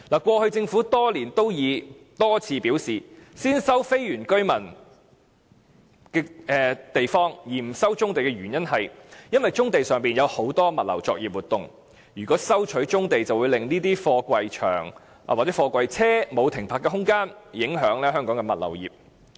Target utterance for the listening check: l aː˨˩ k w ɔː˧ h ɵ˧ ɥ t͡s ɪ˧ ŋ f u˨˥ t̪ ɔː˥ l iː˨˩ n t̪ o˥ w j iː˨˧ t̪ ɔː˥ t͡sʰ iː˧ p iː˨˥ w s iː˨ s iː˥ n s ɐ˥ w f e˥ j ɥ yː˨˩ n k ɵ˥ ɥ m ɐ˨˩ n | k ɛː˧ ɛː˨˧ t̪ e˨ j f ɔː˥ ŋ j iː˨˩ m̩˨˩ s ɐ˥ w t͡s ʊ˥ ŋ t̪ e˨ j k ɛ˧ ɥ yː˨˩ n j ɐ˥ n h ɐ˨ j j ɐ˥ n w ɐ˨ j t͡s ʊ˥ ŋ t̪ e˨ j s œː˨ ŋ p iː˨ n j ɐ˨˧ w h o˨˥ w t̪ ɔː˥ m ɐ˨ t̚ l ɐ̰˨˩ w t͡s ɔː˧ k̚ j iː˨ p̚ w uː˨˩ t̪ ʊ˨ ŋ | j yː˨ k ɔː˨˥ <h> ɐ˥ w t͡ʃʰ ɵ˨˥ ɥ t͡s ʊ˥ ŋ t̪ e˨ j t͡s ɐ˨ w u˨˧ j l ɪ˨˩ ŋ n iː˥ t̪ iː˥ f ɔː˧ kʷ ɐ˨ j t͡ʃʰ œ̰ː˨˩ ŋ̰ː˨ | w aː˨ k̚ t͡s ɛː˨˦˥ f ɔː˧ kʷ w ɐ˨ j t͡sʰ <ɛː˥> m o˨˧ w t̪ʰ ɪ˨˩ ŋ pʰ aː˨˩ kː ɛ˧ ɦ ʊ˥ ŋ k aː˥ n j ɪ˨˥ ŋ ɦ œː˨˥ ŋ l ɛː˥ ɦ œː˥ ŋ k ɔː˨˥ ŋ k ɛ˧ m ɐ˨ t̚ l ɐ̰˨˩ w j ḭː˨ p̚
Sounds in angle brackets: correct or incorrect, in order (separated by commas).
incorrect, correct